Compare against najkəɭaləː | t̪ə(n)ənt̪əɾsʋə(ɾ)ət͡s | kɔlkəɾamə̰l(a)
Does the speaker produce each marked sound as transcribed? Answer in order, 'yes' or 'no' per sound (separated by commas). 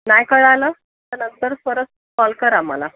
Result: yes, yes, yes